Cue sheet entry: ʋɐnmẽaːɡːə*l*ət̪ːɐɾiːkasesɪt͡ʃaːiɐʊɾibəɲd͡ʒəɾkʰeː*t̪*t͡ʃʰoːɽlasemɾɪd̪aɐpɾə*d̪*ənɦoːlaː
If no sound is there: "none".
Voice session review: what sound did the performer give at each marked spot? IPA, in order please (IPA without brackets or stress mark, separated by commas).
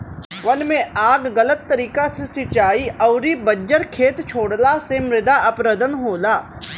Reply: l, t̪, d̪